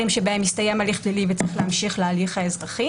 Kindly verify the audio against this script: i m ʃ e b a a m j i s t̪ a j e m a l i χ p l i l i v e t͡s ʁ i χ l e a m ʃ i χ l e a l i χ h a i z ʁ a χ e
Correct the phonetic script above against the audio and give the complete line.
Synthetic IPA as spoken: i m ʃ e b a e m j i s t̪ a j e m a l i χ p l i l i v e t͡s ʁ i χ l e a m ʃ i χ l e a l i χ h a e z ʁ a χ i